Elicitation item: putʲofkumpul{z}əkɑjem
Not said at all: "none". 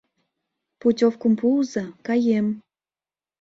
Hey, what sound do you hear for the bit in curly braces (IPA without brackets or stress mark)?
z